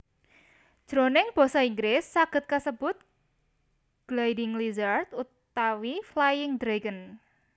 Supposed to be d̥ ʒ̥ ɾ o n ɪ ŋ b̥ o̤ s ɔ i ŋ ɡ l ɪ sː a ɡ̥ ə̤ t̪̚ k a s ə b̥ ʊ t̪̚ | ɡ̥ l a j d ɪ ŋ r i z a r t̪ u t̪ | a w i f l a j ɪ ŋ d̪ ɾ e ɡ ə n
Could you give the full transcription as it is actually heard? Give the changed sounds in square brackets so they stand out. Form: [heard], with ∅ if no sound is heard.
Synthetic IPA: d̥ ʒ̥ ɾ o n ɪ ŋ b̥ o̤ s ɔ i ŋ ɡ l ɪ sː a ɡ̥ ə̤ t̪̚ k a s ə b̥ ʊ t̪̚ | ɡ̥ l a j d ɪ ŋ [l] i z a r t̪ u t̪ | a w i f l a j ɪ ŋ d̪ ɾ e ɡ ə n